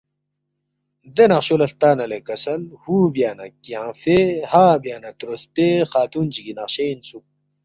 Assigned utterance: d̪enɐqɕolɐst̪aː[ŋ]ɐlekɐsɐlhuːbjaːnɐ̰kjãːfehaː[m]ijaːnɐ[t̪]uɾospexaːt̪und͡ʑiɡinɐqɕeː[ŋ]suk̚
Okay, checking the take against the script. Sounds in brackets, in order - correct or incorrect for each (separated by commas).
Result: incorrect, incorrect, correct, incorrect